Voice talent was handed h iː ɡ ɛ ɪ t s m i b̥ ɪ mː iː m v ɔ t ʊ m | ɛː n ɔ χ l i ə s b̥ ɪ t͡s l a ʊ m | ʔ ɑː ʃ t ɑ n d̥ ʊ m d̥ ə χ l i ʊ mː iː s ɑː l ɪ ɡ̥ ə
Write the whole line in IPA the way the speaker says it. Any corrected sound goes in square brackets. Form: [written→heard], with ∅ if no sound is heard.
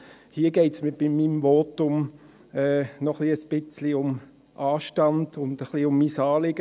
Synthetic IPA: h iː ɡ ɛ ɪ t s m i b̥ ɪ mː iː m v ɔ t ʊ m | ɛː n ɔ χ l i ə s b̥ ɪ t͡s l [a→i] ʊ m | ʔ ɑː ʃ t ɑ n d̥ ʊ [m→n] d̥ ə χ l i ʊ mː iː s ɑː l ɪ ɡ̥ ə

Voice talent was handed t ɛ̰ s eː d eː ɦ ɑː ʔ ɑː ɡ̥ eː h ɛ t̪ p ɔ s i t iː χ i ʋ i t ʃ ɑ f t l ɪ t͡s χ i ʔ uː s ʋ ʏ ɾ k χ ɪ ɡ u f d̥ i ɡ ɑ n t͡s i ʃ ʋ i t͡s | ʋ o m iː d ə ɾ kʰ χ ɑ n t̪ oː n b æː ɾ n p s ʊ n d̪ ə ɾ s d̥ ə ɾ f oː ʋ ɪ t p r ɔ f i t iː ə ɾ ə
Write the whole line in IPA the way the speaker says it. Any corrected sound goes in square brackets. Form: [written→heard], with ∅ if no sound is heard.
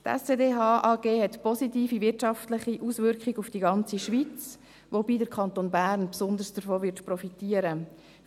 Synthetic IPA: t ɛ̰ s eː d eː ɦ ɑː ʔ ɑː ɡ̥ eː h ɛ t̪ p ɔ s i t iː [χ→f] i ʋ [i→ɪ] t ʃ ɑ f t l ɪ [t͡s→∅] χ i ʔ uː s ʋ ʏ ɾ k χ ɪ ɡ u f d̥ i ɡ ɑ n t͡s i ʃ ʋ i t͡s | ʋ o [m→b] iː d ə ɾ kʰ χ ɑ n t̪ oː n b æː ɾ n p s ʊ n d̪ ə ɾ s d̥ ə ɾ f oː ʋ ɪ t p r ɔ f i t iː ə ɾ ə

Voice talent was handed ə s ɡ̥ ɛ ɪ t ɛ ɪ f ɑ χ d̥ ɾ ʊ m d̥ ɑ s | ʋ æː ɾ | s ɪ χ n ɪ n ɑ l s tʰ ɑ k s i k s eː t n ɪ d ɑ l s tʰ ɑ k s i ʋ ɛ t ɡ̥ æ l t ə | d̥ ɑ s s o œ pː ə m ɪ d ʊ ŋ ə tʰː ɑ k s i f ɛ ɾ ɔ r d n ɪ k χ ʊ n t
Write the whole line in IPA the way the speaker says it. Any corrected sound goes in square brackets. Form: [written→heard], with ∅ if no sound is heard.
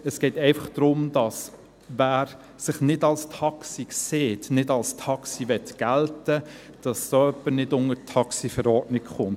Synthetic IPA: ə s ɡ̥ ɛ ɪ t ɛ ɪ f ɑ χ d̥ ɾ ʊ m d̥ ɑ s | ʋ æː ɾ | s ɪ χ n ɪ [n→d] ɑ l s tʰ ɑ k s i k s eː t n ɪ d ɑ l s tʰ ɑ k s i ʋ ɛ t ɡ̥ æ l t ə | d̥ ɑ s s o œ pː ə [m→n] ɪ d ʊ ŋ ə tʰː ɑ k s i f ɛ ɾ ɔ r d n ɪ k χ ʊ n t

